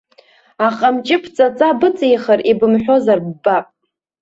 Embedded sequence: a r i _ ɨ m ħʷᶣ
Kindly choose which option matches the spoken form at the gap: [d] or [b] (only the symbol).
b